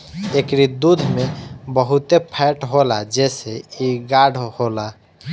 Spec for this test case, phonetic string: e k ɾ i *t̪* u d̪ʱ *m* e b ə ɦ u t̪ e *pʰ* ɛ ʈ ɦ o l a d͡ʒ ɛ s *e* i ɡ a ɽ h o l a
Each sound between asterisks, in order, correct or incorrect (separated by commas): incorrect, correct, correct, correct